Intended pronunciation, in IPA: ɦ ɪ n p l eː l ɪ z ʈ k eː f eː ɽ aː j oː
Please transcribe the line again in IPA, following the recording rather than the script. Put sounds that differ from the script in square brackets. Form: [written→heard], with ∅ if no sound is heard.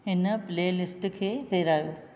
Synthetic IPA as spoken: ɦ ɪ n p l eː l ɪ [z→s] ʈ [k→kʰ] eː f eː [ɽ→ɾ] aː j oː